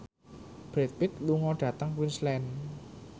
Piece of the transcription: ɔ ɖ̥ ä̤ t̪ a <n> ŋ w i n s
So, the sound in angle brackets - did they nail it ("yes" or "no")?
no